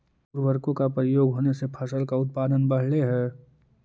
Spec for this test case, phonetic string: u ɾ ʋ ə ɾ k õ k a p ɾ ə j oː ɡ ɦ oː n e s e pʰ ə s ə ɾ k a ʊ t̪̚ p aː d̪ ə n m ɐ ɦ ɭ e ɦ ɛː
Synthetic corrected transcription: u ɾ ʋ ə ɾ k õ k a p ɾ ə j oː ɡ ɦ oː n e s e pʰ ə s ə l k a ʊ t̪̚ p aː d̪ ə n b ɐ ɦ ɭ e ɦ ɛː